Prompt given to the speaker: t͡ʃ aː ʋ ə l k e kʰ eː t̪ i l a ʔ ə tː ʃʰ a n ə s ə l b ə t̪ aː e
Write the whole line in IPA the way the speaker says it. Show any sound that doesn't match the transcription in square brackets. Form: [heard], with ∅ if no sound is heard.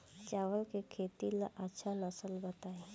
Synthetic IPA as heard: t͡ʃ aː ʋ ə l k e kʰ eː t̪ i l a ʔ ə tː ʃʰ a n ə s ə l b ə t̪ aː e